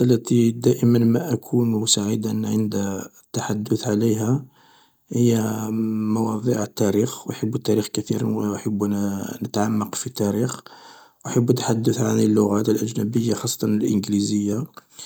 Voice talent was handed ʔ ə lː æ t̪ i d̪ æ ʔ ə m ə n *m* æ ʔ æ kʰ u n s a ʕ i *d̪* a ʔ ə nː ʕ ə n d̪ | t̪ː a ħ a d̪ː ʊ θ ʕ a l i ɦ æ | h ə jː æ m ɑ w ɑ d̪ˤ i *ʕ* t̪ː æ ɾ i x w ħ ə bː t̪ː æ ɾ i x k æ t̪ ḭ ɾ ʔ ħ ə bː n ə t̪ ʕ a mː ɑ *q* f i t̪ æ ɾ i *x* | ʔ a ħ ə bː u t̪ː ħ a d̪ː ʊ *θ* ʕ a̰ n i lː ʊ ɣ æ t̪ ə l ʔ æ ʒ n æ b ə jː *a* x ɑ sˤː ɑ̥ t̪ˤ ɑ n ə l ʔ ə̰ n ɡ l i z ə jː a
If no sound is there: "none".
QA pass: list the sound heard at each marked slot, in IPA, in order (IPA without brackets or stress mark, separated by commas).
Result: m, d̪, ʕ, q, x, θ, a